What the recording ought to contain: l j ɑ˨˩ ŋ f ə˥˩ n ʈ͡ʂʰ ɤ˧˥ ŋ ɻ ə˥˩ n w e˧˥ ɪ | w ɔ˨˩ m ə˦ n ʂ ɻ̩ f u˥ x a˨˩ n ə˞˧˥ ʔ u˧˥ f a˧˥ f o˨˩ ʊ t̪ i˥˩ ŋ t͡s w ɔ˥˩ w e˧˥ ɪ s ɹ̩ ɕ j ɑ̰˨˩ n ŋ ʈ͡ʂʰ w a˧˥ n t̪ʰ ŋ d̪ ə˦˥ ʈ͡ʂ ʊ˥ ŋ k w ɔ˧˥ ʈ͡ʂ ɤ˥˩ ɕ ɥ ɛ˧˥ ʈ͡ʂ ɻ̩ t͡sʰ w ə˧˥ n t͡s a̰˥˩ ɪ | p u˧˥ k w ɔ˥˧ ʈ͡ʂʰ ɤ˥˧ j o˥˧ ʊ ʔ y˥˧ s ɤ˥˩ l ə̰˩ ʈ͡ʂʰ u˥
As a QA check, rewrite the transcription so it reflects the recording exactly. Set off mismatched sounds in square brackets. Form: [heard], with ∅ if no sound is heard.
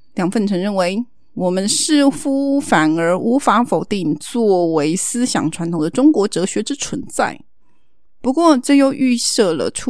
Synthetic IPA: l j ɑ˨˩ ŋ f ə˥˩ n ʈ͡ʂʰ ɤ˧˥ ŋ ɻ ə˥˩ n w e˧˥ ɪ | w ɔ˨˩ m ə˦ n ʂ ɻ̩ f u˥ [f] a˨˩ n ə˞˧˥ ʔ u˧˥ f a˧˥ f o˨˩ ʊ t̪ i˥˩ ŋ t͡s w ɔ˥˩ w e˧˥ ɪ s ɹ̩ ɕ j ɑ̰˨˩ [∅] ŋ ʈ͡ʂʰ w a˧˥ n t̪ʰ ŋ d̪ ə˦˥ ʈ͡ʂ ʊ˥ ŋ k w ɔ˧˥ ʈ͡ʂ [ɤ˧˥] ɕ ɥ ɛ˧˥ ʈ͡ʂ ɻ̩ t͡sʰ w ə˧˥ n t͡s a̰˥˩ ɪ | p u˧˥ k w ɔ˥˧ [ʈ͡ʂ] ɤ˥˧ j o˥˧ ʊ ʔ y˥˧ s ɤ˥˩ l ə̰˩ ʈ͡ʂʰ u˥